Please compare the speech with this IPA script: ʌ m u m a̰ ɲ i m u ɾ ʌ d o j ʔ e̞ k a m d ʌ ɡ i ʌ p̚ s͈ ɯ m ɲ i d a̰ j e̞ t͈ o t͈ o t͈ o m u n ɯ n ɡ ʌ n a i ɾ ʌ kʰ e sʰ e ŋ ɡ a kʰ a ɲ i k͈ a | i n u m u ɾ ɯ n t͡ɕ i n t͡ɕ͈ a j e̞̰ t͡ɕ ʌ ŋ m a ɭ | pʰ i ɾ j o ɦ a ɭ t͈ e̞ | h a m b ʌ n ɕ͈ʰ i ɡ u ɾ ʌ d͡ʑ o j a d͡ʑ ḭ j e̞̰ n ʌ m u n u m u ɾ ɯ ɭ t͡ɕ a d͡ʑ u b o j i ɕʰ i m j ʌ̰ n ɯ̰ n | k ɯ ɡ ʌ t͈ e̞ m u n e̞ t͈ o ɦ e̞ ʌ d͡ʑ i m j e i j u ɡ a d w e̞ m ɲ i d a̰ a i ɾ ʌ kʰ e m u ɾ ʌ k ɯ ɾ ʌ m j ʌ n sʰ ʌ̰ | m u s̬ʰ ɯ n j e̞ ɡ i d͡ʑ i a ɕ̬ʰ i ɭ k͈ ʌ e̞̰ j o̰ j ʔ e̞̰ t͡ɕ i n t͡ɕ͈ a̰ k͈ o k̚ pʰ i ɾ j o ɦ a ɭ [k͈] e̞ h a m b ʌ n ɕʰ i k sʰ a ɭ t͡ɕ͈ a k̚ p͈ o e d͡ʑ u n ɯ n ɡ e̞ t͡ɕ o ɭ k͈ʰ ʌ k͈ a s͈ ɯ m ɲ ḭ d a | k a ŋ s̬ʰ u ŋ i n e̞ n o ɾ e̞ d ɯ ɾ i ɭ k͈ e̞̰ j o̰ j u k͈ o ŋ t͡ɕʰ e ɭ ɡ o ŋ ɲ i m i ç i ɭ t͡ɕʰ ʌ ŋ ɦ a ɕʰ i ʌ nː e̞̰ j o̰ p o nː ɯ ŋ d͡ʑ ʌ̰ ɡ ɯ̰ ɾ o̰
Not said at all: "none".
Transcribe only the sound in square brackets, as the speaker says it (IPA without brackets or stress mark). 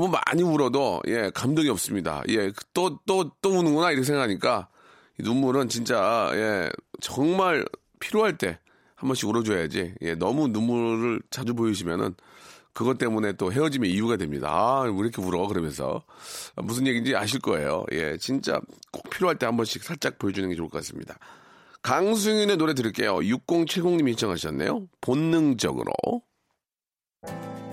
t͈